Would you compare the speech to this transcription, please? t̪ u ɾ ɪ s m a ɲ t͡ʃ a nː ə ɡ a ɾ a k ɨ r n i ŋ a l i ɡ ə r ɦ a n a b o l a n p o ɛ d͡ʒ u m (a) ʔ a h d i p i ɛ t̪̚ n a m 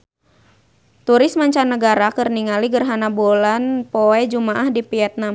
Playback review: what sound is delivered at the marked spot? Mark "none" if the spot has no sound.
a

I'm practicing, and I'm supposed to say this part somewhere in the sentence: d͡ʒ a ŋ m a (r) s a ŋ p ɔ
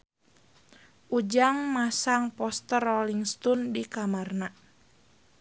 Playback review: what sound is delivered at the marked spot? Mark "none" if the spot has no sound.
none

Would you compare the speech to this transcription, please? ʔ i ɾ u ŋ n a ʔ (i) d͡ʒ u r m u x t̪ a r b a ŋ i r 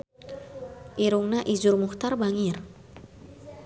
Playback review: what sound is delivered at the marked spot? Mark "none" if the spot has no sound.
i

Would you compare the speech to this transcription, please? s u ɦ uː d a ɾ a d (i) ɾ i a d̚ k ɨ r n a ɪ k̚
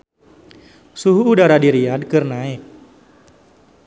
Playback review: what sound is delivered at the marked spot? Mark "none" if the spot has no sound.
i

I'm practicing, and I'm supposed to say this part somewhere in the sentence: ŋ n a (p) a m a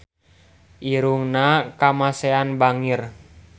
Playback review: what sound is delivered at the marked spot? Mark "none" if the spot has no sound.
k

